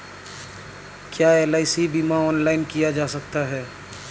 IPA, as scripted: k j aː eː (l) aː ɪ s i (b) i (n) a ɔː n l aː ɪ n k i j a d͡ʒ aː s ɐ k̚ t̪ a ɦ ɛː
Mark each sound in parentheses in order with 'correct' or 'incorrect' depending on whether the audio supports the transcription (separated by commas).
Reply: correct, correct, incorrect